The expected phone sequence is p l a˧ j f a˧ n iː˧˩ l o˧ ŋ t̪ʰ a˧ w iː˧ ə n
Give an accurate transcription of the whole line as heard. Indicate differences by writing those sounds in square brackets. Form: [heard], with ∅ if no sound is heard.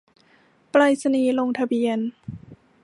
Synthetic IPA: p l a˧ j [s] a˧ n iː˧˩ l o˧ ŋ t̪ʰ a˧ [b] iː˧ ə n